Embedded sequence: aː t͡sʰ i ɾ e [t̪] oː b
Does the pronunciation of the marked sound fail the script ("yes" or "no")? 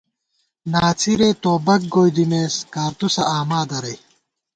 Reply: no